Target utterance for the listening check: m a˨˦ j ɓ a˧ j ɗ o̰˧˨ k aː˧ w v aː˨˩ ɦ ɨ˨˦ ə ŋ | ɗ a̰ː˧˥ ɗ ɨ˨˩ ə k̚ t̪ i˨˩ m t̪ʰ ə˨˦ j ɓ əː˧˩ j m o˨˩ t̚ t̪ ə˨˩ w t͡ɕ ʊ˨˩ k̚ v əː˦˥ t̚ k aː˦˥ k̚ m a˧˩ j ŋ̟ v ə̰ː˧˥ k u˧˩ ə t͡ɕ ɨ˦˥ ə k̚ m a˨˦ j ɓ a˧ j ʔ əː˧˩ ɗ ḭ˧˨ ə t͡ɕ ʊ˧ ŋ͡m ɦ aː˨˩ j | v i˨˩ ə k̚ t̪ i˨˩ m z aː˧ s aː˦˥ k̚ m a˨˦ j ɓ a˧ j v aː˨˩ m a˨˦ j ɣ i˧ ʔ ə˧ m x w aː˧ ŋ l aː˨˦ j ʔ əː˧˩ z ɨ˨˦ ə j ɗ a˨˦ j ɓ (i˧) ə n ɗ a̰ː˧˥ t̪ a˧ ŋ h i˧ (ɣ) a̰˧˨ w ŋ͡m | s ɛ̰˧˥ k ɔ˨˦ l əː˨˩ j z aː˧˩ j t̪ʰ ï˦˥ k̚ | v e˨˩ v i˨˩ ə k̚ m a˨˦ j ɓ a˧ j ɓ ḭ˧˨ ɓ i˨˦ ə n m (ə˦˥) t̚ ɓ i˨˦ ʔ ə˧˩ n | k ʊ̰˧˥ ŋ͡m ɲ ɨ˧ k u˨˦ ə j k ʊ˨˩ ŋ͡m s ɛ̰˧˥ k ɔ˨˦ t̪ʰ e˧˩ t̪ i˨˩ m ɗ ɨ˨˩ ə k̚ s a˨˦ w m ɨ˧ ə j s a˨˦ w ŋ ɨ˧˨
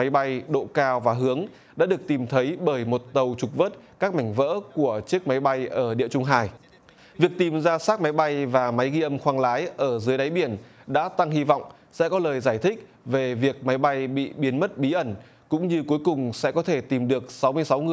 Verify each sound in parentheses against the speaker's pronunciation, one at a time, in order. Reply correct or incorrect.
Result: incorrect: i˧˩, incorrect: v, correct

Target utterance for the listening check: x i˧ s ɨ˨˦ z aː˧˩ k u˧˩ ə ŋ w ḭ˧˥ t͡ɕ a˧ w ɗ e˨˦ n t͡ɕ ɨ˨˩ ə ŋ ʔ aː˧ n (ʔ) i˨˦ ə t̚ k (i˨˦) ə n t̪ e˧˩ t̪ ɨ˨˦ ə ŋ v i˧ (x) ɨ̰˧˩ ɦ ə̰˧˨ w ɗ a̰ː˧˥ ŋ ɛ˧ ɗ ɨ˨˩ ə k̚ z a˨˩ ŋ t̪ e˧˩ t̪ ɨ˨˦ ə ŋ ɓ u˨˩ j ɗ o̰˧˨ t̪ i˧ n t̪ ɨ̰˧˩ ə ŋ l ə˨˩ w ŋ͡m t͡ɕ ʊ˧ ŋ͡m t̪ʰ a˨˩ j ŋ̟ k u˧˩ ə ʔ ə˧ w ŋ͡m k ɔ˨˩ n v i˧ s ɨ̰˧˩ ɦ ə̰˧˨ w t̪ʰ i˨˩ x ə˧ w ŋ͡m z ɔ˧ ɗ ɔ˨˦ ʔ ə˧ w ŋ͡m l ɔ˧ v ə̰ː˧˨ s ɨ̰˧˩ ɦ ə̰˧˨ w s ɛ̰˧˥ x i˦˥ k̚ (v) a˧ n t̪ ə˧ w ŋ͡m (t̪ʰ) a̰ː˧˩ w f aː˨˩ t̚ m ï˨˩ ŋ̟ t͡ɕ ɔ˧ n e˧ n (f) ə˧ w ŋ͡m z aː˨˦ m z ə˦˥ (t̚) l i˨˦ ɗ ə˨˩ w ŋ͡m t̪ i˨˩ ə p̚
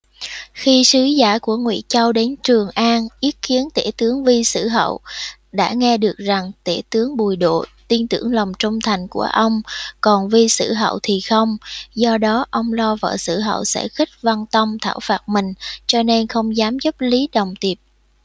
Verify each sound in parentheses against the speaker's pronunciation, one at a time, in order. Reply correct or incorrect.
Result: correct, correct, incorrect: s, correct, correct, incorrect: x, incorrect: p̚

